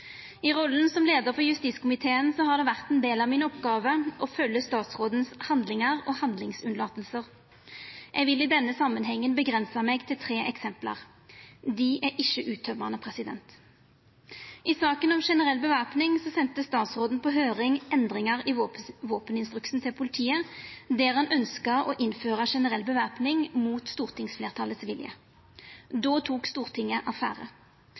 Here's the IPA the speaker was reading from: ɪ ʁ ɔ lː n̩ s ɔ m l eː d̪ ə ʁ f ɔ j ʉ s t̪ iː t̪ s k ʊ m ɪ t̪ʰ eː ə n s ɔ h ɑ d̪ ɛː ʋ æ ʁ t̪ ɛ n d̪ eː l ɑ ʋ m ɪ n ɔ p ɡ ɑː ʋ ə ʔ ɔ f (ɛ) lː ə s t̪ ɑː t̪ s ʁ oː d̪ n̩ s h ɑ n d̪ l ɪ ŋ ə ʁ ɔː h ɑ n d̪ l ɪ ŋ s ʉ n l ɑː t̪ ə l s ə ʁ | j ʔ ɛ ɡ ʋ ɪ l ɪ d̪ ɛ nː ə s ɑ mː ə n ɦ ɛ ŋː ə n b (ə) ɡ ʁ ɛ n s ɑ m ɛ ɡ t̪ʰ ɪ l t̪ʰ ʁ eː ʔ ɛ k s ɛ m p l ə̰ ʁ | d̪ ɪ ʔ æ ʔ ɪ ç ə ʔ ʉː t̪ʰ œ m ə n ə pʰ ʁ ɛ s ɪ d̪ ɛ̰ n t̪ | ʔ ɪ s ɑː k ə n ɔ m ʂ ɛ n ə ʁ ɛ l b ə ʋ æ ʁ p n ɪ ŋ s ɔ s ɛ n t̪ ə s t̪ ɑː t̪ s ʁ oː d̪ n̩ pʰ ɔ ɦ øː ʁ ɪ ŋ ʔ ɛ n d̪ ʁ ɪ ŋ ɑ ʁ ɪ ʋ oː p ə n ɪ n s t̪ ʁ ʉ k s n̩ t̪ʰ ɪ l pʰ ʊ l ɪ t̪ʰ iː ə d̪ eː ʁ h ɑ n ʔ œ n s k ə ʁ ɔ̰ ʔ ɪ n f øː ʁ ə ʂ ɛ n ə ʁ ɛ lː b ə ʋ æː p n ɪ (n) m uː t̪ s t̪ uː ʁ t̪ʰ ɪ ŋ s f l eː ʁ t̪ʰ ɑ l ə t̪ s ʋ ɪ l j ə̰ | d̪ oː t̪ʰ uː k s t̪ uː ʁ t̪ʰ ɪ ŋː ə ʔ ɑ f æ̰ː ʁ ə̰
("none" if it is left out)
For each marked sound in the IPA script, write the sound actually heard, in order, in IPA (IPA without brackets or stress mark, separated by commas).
œ, ə, ŋ